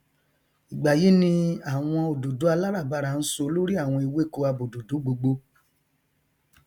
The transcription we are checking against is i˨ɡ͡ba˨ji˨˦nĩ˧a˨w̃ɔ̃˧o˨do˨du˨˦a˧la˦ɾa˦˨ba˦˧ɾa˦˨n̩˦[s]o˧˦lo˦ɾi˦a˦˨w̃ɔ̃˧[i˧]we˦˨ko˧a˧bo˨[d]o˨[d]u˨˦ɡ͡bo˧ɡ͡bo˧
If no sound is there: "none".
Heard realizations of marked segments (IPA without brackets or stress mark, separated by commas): s, i˧, d, d